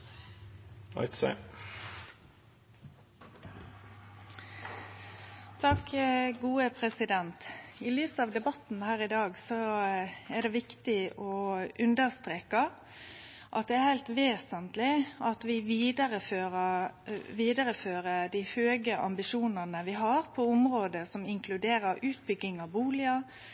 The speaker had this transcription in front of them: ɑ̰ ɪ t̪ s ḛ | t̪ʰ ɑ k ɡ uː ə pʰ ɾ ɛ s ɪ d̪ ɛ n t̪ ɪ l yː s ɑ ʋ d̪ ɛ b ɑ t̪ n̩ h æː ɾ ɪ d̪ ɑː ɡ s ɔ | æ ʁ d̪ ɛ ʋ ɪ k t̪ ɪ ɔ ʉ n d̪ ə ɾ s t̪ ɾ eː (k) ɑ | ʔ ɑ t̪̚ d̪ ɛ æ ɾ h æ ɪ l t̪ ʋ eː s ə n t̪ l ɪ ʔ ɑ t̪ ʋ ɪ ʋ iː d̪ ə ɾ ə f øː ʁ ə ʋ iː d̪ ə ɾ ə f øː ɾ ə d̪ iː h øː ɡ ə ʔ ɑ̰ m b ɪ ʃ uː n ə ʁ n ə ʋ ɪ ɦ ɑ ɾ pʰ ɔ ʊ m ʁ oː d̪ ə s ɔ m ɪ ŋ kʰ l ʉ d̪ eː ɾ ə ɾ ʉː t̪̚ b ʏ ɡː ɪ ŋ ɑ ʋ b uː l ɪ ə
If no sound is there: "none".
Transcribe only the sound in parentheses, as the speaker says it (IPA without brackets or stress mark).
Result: k